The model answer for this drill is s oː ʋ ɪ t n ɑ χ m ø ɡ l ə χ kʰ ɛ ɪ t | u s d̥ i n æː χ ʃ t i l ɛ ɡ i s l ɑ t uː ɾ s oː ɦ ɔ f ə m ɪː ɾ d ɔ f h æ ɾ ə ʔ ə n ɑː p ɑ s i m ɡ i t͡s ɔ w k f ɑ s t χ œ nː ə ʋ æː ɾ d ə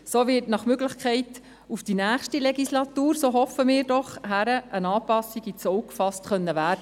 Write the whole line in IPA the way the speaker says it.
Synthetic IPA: s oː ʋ ɪ t n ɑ χ m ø ɡ l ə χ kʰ ɛ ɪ t | u f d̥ i n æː χ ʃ t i l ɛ ɡ i s l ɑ t uː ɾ s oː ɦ ɔ f ə m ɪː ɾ d ɔ χ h æ ɾ ə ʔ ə n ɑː p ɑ s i ɡ i t͡s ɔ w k f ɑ s t χ œ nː ə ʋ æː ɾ d ə